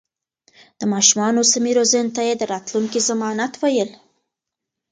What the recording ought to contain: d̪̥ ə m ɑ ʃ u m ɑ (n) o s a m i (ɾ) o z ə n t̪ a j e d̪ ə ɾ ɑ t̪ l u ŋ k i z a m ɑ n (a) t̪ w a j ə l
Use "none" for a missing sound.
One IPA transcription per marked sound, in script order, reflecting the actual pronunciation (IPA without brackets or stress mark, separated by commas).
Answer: n, ɾ, a